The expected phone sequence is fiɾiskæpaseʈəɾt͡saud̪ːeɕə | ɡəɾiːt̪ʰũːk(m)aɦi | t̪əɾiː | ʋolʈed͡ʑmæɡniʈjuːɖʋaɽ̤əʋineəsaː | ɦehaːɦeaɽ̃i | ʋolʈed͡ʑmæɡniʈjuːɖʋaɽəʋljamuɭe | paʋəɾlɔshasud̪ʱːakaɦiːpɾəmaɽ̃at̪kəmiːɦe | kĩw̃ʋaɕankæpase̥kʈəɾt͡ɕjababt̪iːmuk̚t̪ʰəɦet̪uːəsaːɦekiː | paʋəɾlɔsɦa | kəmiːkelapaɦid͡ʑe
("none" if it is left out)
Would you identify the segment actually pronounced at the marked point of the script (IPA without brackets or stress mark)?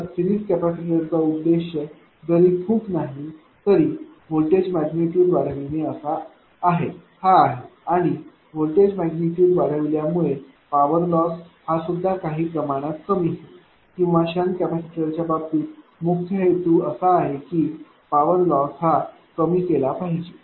n